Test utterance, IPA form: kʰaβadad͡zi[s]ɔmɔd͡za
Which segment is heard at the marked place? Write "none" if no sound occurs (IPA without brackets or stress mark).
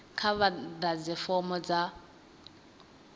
f